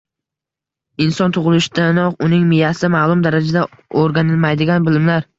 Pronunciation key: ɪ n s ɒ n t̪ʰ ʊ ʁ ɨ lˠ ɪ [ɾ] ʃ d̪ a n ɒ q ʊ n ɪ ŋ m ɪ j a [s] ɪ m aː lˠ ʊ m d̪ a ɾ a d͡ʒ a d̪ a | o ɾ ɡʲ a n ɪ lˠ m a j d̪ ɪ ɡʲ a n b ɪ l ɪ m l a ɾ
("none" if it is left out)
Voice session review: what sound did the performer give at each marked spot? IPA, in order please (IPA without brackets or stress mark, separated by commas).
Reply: none, s